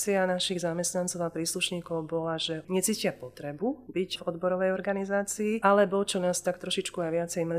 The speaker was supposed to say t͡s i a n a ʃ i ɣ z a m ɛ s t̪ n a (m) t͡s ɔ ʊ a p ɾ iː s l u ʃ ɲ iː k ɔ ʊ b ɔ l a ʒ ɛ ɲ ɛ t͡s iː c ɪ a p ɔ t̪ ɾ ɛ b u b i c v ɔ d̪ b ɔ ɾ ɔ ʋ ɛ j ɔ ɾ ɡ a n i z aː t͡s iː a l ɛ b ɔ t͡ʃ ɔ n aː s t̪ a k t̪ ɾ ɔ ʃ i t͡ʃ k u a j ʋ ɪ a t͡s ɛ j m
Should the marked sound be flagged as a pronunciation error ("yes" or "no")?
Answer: yes